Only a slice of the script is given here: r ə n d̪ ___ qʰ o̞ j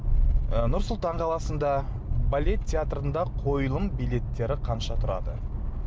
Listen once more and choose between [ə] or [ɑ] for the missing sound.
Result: ɑ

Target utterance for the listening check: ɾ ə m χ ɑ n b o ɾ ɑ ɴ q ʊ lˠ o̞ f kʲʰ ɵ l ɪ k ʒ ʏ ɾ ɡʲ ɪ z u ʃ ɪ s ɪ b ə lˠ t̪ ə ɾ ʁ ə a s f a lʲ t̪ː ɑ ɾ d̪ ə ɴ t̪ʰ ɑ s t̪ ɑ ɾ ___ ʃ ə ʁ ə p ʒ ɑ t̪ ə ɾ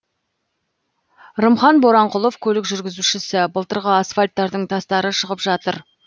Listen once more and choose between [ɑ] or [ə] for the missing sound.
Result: ə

